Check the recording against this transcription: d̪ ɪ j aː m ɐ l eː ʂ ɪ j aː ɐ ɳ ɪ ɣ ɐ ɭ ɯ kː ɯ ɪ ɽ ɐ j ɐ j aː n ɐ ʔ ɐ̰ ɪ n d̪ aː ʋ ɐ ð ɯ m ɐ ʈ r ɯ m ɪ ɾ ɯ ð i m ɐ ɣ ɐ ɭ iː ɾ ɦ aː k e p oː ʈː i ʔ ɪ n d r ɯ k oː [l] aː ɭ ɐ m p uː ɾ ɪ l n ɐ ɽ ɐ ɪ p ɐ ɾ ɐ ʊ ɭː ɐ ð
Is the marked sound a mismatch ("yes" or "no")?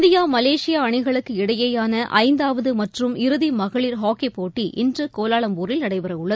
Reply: no